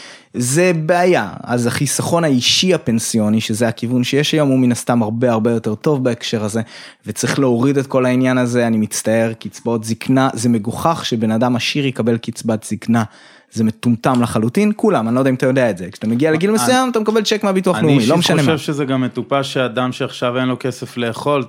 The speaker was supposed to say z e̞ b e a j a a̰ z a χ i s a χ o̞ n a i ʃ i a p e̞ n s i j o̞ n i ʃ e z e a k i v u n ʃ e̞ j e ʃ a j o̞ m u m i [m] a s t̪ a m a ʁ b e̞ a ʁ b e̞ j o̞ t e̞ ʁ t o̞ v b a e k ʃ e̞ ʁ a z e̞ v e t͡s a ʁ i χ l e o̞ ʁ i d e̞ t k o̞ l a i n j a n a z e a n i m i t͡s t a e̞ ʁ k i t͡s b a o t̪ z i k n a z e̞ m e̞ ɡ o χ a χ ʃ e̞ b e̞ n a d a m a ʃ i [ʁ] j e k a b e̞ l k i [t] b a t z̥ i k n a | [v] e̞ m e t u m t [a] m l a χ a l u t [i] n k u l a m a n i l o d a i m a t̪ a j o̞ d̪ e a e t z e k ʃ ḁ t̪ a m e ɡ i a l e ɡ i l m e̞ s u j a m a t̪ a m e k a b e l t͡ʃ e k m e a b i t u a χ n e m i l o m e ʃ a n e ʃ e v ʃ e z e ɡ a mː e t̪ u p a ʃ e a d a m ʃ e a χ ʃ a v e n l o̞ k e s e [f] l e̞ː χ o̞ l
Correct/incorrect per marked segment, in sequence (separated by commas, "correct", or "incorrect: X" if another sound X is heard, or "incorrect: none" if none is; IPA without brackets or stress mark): incorrect: n, correct, incorrect: t͡s, incorrect: z, correct, correct, correct